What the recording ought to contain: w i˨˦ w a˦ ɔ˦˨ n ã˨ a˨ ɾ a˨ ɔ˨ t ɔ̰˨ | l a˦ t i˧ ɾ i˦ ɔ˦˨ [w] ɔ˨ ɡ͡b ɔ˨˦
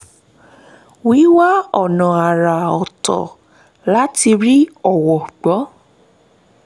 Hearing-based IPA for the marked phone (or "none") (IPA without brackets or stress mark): w